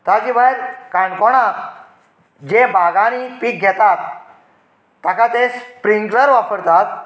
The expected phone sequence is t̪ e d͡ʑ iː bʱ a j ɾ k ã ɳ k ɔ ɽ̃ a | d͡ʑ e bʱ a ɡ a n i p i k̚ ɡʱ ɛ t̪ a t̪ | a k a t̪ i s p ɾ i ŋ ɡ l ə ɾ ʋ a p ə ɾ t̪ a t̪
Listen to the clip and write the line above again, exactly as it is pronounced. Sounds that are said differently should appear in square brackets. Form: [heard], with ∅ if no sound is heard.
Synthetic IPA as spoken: t̪ [a] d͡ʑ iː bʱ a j ɾ k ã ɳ k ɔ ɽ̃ a | d͡ʑ e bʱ a ɡ a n i p i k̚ ɡʱ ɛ t̪ a t̪ | a k a t̪ [e] s p ɾ i ŋ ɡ l ə ɾ ʋ a p ə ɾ t̪ a t̪